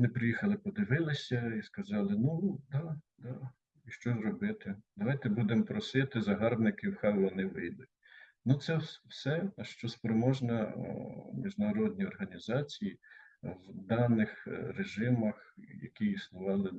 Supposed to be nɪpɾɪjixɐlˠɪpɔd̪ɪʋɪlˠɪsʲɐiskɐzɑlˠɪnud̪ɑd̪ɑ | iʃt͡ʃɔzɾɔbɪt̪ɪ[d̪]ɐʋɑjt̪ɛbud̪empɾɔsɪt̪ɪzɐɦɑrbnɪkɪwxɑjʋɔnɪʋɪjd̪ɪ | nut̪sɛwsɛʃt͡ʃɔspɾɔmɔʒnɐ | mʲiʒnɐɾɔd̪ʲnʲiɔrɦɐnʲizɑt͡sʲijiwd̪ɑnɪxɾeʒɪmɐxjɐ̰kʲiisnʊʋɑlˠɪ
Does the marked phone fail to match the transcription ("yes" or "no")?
no